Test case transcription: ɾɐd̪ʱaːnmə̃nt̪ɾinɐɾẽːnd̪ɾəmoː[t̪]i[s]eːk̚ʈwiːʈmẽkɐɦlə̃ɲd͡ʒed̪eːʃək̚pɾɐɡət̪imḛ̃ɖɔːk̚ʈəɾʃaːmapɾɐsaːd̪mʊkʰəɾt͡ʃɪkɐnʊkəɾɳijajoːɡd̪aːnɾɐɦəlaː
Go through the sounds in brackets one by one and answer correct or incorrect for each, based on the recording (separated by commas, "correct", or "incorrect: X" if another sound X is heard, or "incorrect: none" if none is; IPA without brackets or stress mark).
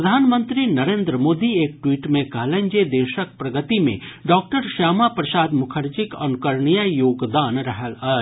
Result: incorrect: d̪, incorrect: none